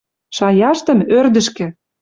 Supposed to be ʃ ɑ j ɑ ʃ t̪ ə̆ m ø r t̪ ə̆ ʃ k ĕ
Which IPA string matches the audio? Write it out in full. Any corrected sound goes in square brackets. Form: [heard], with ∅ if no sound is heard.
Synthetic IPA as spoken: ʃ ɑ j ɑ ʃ t̪ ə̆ m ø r [d̪] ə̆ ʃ k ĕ